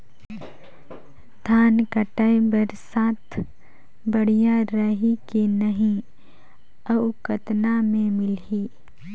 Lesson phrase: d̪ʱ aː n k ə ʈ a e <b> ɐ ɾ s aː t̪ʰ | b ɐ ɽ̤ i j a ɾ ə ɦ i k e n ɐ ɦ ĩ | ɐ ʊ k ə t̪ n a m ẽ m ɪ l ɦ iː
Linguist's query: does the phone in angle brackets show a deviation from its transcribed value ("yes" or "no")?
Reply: no